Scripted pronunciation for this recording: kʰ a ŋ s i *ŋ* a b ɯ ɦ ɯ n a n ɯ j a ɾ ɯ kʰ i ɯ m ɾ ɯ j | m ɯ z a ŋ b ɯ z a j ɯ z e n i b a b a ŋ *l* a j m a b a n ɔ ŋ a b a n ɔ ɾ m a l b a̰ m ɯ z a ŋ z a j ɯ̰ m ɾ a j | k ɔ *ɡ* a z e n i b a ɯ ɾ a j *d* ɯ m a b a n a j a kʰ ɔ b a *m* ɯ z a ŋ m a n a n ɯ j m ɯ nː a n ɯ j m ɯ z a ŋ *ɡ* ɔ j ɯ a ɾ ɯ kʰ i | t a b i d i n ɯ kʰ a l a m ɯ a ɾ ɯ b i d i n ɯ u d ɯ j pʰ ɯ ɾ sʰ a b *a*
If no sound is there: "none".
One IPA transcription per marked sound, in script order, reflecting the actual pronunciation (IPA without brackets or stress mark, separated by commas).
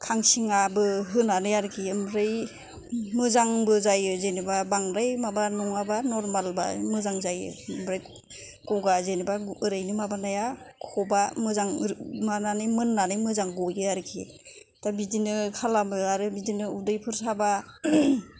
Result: ŋ, ɾ, ɡ, n, m, ɡ, a